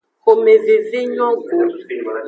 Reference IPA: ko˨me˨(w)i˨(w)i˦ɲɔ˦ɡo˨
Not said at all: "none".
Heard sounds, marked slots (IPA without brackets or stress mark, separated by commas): v, v